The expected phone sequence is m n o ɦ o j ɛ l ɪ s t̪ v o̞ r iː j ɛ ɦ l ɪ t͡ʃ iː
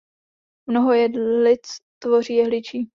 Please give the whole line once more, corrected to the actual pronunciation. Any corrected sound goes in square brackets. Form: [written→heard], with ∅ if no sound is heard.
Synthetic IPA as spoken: m n o ɦ o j ɛ l ɪ [s→t͡s] t̪ v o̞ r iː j ɛ ɦ l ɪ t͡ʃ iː